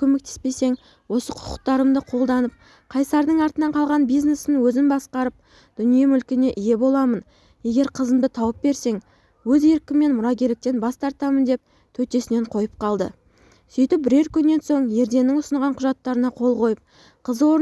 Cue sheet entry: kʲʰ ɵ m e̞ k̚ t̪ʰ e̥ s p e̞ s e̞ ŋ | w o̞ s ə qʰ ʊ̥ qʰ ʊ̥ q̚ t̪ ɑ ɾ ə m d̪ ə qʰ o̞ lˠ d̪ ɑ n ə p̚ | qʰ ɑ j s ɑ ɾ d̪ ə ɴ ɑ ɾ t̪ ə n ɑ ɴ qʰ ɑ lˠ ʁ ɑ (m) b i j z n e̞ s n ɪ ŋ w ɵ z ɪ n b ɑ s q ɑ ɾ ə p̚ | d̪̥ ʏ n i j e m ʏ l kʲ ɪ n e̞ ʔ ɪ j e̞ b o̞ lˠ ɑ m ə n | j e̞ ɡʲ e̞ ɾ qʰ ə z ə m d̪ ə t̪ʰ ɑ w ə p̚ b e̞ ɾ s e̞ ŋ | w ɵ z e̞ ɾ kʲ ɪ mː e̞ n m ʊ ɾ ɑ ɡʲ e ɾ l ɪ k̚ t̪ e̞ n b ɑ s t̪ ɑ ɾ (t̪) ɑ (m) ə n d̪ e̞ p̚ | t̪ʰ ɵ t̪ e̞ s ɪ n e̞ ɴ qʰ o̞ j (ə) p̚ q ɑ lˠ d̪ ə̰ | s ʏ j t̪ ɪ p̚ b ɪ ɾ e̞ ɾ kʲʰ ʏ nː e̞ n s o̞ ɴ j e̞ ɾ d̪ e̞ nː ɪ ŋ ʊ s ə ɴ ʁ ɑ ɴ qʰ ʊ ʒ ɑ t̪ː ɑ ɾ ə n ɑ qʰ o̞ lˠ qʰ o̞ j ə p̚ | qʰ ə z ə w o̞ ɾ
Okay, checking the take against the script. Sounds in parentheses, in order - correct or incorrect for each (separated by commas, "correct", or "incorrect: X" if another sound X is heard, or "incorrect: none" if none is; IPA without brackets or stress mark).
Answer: incorrect: n, correct, correct, correct